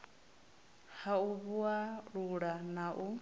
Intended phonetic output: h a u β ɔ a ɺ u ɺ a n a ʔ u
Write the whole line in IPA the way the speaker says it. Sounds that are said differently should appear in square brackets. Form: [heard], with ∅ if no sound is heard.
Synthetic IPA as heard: h a u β [u] a ɺ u ɺ a n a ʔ u

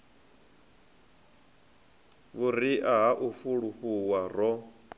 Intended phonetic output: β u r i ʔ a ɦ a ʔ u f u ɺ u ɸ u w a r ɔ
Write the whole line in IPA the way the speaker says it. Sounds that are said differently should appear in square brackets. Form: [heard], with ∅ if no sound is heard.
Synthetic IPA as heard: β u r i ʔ a ɦ a ʔ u f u ɺ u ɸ u w a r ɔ

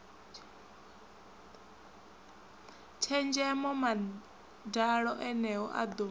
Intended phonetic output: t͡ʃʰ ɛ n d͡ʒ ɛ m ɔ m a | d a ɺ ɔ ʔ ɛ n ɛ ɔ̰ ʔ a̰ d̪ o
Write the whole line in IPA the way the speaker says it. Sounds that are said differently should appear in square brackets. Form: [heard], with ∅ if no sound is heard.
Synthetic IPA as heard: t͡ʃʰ ɛ n d͡ʒ ɛ m ɔ m a | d a ɺ ɔ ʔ ɛ n ɛ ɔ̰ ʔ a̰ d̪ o

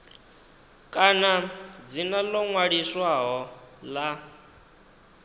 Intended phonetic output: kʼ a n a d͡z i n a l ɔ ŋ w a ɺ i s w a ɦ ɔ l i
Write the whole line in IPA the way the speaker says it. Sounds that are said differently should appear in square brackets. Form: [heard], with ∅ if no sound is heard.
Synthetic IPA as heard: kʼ a n a d͡z i n a l ɔ ŋ w a ɺ i s w a ɦ ɔ l [a]

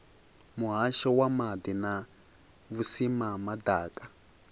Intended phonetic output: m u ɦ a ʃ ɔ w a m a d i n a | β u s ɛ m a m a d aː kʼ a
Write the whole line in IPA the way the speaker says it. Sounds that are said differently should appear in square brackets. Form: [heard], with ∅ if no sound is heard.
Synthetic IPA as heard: m u ɦ a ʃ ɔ w a m a d i n a | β u s [i] m a m a d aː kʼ a

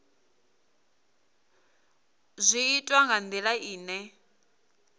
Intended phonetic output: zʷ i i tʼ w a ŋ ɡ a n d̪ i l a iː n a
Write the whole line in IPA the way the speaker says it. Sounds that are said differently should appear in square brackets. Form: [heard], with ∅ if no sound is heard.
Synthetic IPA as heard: zʷ i i tʼ w a ŋ ɡ a n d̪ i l a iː n [ɛ]

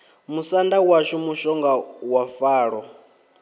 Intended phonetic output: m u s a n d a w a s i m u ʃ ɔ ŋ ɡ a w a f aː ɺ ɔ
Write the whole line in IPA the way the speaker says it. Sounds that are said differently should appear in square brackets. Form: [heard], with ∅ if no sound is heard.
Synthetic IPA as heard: m u s a n d a w a [ʃ] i m u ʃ ɔ ŋ ɡ a w a f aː ɺ ɔ

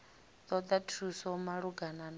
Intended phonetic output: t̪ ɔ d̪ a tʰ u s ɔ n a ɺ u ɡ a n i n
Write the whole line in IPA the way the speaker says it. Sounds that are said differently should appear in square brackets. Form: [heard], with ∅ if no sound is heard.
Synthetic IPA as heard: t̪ ɔ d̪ a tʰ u s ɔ [m] a ɺ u ɡ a n [a] n

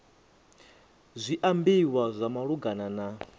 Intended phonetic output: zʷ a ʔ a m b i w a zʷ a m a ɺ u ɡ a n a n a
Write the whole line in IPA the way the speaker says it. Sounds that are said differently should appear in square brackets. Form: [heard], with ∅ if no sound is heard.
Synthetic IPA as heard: zʷ [i] ʔ a m b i w a zʷ a m a ɺ u ɡ a n a n a

